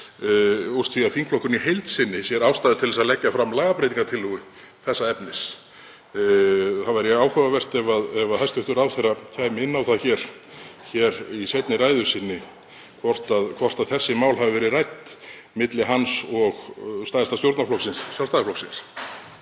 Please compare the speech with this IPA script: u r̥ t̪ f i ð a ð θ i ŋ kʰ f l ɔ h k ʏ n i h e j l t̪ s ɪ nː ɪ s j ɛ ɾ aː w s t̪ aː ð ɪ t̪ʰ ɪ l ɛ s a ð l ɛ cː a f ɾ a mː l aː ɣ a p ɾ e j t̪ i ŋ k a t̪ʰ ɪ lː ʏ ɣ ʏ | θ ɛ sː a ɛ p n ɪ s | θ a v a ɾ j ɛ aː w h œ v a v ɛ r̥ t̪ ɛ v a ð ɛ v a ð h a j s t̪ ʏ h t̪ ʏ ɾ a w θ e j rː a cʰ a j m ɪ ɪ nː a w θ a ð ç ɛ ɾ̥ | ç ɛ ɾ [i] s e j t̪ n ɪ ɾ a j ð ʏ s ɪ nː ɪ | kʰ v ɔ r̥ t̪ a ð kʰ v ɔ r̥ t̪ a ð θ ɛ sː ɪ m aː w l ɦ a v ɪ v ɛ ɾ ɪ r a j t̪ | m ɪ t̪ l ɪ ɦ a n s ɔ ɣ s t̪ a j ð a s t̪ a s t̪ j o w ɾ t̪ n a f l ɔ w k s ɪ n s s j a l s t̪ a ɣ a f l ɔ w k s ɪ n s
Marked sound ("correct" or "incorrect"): correct